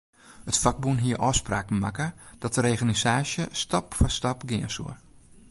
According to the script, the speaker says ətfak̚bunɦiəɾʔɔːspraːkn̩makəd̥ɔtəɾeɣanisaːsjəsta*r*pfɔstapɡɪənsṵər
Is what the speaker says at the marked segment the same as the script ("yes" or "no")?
no